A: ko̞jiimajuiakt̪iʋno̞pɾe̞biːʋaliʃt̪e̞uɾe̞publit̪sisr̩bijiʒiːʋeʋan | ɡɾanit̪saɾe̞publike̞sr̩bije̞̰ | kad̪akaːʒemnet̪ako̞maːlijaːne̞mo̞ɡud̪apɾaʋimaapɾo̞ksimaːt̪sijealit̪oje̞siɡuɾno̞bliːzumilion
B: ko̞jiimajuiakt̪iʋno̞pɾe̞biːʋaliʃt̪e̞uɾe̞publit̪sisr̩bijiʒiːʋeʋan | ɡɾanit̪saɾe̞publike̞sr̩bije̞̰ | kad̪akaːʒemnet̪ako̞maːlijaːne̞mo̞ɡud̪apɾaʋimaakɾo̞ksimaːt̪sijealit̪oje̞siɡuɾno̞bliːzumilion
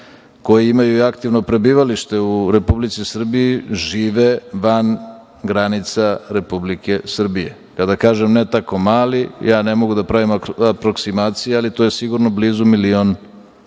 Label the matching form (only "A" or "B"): A